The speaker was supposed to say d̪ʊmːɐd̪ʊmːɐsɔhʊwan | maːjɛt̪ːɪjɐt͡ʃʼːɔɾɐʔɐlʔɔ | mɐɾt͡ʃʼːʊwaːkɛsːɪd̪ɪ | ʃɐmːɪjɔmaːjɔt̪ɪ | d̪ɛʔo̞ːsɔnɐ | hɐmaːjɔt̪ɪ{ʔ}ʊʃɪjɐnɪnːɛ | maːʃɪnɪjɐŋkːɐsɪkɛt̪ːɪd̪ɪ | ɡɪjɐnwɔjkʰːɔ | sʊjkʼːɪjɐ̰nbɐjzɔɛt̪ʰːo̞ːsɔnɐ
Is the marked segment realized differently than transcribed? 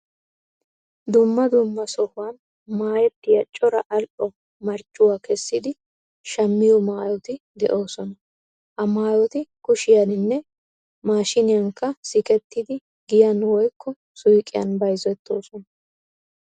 yes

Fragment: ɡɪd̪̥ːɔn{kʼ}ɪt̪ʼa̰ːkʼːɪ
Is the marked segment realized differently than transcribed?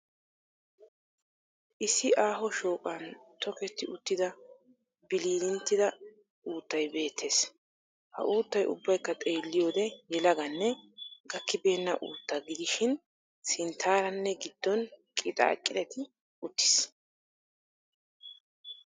no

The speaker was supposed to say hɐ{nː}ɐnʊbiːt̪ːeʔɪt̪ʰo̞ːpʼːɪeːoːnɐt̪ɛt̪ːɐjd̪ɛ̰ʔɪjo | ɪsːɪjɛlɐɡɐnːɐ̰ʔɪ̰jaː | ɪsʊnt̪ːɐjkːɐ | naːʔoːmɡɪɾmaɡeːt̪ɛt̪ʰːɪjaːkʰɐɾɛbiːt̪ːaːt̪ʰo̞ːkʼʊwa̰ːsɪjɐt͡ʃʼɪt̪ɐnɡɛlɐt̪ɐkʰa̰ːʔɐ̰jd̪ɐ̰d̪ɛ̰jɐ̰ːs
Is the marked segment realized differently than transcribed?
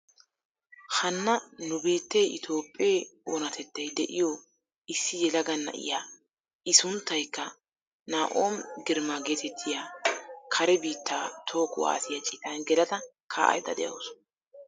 no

